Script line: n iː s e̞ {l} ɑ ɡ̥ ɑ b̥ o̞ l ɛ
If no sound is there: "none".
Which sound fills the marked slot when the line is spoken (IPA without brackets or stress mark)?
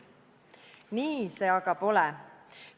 none